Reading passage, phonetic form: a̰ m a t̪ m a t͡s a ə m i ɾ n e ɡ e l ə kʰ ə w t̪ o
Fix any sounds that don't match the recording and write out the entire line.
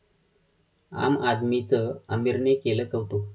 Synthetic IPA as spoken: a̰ m a d̪ m i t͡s ə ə m i ɾ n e k e l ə k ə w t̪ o

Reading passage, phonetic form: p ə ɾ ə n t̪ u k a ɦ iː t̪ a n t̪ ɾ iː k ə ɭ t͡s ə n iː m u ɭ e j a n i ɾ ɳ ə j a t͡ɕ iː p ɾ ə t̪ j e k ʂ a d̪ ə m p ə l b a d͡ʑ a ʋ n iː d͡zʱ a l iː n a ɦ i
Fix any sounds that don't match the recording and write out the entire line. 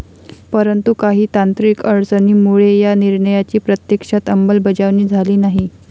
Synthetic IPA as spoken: p ə ɾ ə n t̪ u k a ɦ iː t̪ a n t̪ ɾ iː k ə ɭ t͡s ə n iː m u ɭ e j a n i ɾ ɳ ə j a t͡ɕ iː p ɾ ə t̪ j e k ʂ a t̪ ə m b ə l b ə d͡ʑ a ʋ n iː d͡zʱ a l iː n a ɦ i

